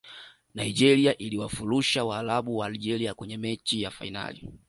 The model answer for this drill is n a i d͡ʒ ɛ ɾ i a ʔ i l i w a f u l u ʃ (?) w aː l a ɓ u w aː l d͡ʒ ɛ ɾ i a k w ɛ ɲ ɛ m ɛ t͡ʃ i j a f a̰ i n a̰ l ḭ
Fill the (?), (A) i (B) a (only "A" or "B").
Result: B